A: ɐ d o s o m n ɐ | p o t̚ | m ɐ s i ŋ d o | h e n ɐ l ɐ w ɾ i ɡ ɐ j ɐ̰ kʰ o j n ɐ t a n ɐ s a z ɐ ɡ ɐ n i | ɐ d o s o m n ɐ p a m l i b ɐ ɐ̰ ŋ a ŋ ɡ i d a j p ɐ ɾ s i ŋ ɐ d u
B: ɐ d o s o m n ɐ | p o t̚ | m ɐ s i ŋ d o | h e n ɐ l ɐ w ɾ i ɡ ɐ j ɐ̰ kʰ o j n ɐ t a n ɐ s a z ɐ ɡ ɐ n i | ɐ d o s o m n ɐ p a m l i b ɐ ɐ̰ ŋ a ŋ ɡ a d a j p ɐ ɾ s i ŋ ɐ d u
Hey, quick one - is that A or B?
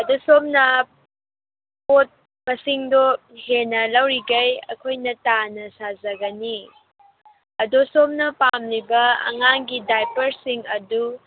A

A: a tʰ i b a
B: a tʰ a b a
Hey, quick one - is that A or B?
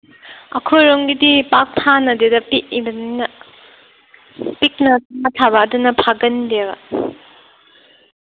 B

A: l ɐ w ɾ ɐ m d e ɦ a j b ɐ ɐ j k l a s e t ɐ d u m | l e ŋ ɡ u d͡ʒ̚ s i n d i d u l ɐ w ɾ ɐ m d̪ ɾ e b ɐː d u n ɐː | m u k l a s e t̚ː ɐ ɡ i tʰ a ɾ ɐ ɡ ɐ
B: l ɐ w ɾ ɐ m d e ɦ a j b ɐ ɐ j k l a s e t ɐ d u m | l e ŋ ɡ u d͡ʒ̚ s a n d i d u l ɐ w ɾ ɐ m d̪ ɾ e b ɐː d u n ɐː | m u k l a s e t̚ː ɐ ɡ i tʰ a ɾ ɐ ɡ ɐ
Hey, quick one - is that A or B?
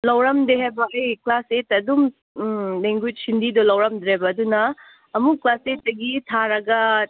A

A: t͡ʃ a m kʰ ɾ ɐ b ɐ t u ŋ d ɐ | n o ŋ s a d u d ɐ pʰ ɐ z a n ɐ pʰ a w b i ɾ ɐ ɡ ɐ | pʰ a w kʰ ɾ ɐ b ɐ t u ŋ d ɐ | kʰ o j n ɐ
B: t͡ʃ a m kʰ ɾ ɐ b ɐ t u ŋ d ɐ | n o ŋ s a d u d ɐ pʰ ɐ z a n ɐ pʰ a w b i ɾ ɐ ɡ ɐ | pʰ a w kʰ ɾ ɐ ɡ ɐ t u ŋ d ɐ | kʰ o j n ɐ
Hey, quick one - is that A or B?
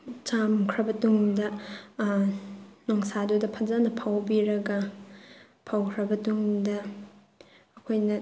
A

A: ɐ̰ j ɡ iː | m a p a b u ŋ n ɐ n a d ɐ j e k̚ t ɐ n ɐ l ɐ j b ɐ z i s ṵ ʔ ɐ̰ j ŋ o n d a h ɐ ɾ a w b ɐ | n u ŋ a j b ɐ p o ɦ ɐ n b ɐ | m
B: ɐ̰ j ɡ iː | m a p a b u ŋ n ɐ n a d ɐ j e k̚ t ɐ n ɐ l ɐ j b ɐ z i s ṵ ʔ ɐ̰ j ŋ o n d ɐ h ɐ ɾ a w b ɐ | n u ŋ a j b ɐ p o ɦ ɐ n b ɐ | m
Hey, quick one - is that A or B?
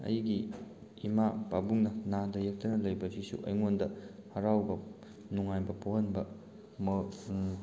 B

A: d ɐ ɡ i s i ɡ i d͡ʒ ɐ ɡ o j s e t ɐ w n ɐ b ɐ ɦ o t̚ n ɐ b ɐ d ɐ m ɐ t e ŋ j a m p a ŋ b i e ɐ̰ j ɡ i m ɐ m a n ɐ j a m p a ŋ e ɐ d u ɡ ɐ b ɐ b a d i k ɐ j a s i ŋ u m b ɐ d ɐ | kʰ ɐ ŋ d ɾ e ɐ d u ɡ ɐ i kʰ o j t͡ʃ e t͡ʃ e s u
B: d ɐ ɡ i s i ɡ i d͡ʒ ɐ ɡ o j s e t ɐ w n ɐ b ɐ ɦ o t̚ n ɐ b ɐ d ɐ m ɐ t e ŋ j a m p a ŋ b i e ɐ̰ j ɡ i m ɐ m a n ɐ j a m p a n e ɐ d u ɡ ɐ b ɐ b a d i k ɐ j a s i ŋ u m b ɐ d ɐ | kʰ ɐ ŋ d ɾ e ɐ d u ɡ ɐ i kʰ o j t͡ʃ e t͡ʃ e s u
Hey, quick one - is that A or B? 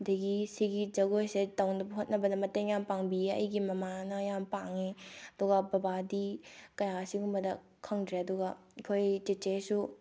A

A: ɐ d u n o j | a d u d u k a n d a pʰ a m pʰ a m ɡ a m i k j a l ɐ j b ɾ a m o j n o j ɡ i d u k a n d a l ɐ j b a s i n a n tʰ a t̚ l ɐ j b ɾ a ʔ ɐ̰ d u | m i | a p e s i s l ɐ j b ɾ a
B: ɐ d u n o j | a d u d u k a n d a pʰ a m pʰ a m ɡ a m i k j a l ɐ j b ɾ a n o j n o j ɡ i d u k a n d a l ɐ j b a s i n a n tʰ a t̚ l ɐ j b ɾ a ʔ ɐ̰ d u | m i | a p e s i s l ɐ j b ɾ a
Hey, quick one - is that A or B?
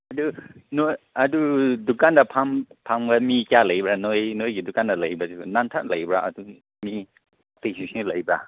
B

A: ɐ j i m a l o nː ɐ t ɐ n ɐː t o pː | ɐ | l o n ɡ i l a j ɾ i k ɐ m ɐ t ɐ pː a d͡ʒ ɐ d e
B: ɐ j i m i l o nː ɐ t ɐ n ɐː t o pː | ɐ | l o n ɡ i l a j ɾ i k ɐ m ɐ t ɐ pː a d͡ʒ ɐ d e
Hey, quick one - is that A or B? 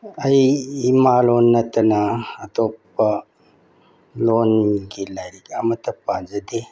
A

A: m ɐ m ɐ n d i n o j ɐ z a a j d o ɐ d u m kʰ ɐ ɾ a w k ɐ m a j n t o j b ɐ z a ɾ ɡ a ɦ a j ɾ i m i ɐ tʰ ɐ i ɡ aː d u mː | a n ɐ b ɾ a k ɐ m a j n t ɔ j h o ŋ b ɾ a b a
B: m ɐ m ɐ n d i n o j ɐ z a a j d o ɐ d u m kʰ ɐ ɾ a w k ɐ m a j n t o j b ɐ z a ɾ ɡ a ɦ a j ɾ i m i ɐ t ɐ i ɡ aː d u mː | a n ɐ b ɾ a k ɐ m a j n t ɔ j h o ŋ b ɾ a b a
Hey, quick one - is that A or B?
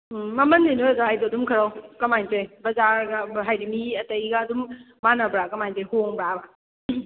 B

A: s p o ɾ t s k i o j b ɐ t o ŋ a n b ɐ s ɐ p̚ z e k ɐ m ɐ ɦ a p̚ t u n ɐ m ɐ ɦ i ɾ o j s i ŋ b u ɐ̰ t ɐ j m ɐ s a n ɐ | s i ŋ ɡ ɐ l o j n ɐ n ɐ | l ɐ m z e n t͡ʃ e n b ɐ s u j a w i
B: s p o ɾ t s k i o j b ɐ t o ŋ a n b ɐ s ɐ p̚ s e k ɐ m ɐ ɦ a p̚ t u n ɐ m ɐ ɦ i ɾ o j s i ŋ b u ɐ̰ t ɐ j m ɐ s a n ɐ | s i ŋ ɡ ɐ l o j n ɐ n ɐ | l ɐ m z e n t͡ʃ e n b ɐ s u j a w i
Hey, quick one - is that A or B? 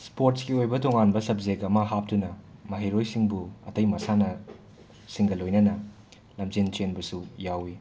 A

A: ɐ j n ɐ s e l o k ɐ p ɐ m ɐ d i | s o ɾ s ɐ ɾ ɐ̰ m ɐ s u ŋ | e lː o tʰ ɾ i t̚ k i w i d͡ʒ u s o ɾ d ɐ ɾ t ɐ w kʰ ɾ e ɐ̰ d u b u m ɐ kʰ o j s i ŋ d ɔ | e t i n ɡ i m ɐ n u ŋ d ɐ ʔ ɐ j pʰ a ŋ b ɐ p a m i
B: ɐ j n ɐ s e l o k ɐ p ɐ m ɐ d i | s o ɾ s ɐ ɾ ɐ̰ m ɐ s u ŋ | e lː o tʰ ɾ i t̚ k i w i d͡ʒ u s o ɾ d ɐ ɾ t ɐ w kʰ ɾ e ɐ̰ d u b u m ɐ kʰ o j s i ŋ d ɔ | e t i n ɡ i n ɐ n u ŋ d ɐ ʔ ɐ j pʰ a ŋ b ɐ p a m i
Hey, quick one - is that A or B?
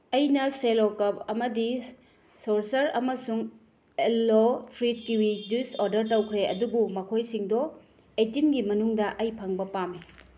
A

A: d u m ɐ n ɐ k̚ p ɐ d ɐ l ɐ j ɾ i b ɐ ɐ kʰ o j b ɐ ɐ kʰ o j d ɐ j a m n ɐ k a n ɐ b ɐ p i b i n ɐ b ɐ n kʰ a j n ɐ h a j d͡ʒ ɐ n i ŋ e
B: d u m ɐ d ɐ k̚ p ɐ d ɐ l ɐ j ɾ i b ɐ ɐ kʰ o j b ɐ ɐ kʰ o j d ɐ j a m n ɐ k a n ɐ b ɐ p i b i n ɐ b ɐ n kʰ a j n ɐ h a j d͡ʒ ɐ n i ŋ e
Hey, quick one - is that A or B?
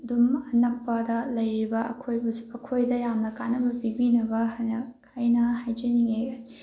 A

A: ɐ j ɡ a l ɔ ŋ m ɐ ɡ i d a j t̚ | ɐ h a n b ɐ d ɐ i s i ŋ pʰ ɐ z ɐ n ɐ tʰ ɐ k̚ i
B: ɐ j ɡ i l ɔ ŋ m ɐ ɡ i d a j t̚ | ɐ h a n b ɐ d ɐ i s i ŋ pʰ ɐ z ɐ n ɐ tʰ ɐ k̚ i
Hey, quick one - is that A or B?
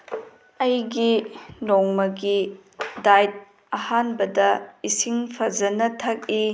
B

